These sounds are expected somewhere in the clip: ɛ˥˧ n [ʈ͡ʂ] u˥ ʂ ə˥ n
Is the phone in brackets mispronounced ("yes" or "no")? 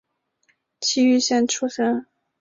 yes